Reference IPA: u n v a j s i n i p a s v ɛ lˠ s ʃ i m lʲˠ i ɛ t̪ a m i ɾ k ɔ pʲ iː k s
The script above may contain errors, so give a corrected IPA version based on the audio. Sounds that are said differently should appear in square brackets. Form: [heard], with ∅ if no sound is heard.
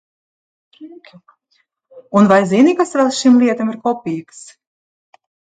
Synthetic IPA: u n v a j [z] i n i [k] a s v ɛ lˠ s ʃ i m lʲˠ i ɛ t̪ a m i ɾ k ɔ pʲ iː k s